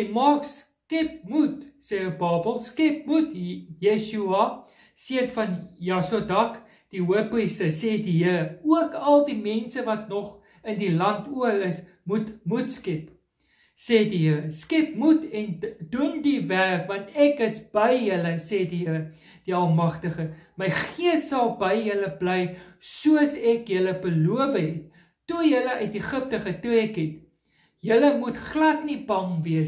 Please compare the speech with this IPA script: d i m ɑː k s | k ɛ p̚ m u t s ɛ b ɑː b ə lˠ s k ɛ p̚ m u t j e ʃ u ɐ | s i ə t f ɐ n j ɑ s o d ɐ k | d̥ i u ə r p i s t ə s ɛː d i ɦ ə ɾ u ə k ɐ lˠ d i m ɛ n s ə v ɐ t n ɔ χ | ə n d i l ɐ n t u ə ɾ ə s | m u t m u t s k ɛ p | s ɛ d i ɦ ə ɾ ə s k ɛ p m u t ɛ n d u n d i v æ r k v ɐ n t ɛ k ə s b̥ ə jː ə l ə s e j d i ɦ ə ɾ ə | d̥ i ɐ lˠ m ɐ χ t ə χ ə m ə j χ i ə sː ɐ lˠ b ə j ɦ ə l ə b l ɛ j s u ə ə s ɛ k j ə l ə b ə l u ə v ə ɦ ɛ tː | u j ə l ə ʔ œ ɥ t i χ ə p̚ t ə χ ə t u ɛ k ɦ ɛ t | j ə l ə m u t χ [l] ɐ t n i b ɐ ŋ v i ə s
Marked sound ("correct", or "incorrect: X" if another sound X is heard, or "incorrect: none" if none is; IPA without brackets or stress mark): correct